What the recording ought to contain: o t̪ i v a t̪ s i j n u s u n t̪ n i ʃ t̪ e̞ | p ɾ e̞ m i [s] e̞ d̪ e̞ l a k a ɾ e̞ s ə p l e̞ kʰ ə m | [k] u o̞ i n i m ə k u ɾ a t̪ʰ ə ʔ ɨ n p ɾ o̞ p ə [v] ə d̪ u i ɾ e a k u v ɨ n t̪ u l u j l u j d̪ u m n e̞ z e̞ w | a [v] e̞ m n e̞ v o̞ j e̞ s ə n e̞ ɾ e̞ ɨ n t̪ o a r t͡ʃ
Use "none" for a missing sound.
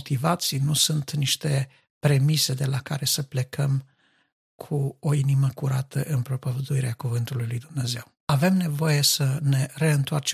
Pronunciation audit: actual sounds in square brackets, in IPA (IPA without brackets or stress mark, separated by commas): s, kʰ, v, v